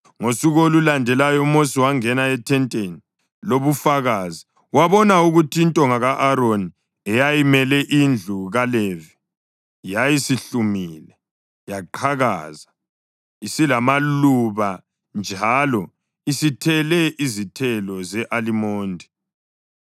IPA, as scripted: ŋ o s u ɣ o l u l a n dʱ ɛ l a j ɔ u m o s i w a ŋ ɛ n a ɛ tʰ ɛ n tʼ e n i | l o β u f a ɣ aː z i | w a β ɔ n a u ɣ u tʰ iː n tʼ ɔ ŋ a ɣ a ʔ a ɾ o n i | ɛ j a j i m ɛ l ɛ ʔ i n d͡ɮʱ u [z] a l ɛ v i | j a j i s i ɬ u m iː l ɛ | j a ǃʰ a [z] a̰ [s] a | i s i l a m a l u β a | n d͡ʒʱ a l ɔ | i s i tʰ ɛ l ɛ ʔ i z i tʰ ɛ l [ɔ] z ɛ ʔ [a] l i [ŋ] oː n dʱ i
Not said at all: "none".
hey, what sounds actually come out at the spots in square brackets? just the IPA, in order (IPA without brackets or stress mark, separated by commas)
ɣ, ɣ, z, ɔ, a, m